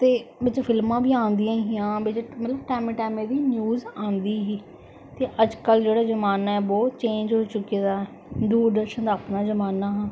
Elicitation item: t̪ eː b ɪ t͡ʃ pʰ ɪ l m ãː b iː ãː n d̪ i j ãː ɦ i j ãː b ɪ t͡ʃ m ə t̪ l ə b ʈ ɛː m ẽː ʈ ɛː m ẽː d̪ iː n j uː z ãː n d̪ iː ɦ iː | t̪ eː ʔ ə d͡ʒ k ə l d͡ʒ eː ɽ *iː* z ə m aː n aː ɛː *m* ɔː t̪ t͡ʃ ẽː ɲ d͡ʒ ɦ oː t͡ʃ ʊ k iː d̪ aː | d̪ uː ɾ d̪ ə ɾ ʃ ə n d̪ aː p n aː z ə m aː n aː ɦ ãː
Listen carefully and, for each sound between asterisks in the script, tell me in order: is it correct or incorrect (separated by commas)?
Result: incorrect, incorrect